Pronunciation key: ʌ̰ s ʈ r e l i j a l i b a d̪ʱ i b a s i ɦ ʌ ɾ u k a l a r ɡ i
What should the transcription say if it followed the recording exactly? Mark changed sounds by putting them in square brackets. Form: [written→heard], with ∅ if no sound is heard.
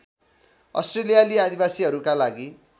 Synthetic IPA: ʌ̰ s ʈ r e l i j a l i [b→∅] a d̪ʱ i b a s i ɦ ʌ ɾ u k a l a [r→∅] ɡ i